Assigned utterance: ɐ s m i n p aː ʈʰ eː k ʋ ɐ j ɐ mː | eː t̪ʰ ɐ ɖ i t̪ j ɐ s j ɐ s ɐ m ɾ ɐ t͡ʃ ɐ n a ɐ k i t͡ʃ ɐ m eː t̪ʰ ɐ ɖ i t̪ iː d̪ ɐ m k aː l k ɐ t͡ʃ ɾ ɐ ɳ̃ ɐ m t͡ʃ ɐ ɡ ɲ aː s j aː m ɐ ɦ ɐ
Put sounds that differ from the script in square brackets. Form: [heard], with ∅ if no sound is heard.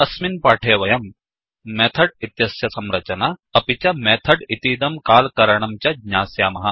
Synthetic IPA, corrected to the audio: ɐ s m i n p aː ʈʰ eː [∅] ʋ ɐ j ɐ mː | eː t̪ʰ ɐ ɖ i t̪ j ɐ s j ɐ s ɐ m ɾ ɐ t͡ʃ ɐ n a ɐ [p] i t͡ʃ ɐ m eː t̪ʰ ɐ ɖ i t̪ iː d̪ ɐ m k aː l k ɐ [∅] ɾ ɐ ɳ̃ ɐ m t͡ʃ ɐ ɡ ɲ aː s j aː m ɐ ɦ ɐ